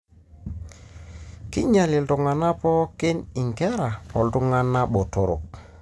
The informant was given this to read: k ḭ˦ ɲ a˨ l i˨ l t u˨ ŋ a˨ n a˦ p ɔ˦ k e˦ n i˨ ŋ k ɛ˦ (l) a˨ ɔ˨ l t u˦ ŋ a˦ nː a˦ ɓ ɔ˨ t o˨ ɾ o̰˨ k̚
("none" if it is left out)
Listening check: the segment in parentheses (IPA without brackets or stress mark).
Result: ɾ